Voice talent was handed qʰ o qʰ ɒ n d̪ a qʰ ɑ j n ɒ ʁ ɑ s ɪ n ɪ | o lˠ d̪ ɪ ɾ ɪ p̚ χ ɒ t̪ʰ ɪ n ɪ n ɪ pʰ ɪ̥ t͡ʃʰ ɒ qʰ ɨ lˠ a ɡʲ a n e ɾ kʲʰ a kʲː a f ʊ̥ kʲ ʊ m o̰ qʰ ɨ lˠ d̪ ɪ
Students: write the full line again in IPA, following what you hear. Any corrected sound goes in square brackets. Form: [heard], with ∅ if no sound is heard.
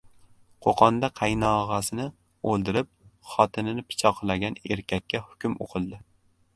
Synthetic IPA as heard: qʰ o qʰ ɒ n d̪ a qʰ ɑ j n ɒ ʁ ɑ s ɪ n ɪ | o lˠ d̪ ɪ ɾ ɪ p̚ χ ɒ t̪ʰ ɪ n ɪ n ɪ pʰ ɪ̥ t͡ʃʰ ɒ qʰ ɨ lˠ a ɡʲ a n e ɾ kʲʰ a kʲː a [h] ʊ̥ kʲ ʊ m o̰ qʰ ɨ lˠ d̪ ɪ